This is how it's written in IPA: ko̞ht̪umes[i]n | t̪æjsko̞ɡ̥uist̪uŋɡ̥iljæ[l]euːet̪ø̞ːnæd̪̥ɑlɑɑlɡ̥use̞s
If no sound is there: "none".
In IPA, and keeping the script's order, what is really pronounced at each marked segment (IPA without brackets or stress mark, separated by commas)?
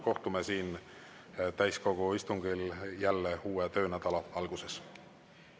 iː, lː